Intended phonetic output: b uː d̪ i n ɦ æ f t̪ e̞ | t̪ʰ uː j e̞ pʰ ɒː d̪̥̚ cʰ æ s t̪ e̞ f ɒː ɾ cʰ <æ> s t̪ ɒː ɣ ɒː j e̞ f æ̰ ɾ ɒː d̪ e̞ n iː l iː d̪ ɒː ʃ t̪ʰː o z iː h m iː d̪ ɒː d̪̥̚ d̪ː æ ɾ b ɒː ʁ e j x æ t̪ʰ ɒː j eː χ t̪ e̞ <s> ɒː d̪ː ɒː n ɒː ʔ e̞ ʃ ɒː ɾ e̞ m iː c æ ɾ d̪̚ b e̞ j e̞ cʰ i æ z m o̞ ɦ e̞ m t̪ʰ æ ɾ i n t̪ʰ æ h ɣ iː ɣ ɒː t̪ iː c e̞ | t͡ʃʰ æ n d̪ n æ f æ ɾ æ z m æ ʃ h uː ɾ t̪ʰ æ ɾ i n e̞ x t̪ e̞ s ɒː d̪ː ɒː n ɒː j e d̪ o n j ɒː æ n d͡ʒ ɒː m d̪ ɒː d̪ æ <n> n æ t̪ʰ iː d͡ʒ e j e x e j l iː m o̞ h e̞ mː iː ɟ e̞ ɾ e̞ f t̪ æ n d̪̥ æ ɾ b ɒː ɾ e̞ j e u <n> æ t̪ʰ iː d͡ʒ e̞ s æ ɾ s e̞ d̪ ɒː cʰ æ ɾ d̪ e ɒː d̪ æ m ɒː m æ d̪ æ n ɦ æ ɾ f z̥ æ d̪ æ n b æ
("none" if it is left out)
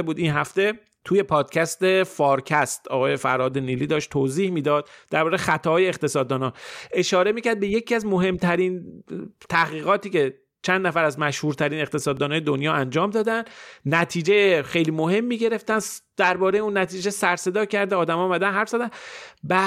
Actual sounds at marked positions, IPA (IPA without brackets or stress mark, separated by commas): æ, s, n, nː